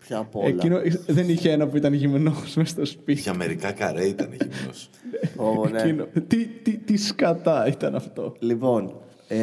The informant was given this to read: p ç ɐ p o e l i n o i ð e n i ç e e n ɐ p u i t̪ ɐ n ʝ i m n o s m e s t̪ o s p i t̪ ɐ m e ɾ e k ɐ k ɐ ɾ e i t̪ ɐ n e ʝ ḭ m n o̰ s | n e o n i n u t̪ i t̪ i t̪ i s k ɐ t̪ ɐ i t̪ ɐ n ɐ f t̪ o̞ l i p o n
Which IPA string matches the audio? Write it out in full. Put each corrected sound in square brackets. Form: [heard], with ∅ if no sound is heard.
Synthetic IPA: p ç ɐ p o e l i n o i ð e n i ç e e n ɐ p u i t̪ ɐ n ʝ i m n o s m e s t̪ o s p i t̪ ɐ m e ɾ [i] k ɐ k ɐ ɾ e i t̪ ɐ n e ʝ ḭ m n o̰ s | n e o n i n [o] t̪ i t̪ i t̪ i s k ɐ t̪ ɐ i t̪ ɐ n ɐ f t̪ o̞ l i p o n